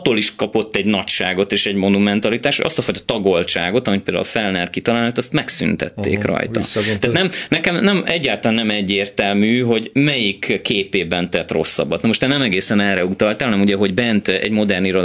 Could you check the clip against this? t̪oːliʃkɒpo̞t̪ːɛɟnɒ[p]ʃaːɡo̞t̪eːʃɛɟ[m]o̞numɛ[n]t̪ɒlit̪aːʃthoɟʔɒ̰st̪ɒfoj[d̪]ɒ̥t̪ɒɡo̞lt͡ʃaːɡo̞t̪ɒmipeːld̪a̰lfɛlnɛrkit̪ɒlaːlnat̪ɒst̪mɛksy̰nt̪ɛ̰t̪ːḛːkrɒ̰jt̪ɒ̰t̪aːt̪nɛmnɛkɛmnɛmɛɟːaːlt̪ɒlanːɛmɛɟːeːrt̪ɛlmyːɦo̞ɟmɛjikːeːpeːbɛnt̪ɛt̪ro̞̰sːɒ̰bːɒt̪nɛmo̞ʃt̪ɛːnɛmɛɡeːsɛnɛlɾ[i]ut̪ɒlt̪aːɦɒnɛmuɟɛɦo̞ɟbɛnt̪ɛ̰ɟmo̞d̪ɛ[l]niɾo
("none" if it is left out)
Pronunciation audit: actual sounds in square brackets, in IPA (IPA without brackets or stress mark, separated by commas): c, m, n, t̪, ɛ, r